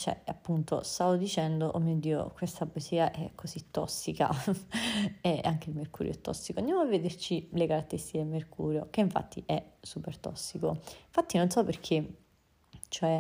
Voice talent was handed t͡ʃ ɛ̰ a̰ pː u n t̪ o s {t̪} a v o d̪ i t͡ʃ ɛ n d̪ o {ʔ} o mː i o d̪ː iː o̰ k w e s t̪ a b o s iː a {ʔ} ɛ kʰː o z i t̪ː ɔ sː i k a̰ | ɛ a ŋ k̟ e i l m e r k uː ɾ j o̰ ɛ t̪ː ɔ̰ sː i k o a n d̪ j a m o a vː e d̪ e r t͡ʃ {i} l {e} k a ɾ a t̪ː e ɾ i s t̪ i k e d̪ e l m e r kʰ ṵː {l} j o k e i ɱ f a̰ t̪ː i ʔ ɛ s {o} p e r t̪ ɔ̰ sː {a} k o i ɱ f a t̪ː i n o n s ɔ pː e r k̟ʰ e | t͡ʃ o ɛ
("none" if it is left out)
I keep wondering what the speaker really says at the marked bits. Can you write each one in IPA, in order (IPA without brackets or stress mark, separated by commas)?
t̪, ʔ, ʔ, i, e, ɾ, u, i